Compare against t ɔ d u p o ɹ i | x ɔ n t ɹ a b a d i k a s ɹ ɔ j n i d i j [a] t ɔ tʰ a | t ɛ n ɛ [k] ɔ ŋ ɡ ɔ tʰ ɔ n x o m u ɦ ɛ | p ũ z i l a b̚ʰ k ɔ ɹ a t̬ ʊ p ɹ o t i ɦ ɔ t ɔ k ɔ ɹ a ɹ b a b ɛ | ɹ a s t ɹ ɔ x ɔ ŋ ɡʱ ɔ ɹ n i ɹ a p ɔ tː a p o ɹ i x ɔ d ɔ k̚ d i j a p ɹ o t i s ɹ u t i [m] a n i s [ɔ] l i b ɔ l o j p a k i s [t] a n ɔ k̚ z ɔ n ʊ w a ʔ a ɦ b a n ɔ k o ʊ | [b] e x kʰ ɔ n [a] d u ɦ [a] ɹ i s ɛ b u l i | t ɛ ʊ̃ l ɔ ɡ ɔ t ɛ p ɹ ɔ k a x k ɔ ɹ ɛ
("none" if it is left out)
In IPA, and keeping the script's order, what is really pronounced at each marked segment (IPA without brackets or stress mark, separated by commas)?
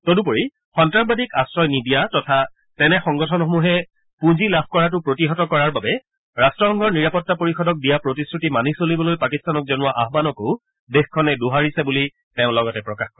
a, x, m, o, t, d, ɛ, a